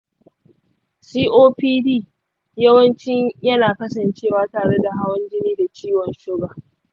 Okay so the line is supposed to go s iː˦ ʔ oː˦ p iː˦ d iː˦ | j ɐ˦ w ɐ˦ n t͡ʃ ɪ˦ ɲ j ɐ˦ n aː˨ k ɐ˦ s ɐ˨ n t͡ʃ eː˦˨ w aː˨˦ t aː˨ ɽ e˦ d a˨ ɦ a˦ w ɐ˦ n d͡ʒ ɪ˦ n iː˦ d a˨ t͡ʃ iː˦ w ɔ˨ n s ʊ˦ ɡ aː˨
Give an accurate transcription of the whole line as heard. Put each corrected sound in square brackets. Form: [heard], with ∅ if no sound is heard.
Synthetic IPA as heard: s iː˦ ʔ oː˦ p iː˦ d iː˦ | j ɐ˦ w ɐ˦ n t͡ʃ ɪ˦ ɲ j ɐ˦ n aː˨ k ɐ˦ s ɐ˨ n t͡ʃ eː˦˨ w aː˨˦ t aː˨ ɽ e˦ d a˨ ɦ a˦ w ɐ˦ n d͡ʒ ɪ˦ n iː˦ d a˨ t͡ʃ iː˦ w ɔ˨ n [ʃ] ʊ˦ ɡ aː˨